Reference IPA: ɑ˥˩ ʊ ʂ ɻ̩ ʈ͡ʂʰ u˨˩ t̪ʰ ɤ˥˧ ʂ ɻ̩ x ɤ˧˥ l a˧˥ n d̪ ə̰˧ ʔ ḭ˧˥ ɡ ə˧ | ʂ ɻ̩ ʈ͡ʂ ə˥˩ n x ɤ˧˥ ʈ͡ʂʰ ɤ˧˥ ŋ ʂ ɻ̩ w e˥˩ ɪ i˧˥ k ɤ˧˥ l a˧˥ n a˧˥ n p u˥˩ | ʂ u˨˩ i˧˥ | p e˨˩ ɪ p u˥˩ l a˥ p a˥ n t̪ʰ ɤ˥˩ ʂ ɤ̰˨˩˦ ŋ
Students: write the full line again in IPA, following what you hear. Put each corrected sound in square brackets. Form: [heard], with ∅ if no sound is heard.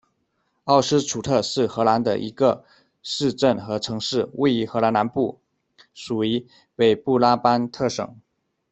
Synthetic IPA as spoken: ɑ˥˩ ʊ ʂ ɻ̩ ʈ͡ʂʰ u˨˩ t̪ʰ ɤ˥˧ ʂ ɻ̩ x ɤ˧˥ l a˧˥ n d̪ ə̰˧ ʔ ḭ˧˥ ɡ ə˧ | ʂ ɻ̩ ʈ͡ʂ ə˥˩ n x ɤ˧˥ ʈ͡ʂʰ ɤ˧˥ ŋ ʂ ɻ̩ w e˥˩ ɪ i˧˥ [x] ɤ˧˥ l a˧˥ n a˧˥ n p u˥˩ | ʂ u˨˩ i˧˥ | p e˨˩ ɪ p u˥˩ l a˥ p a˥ n t̪ʰ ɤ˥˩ ʂ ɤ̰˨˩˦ ŋ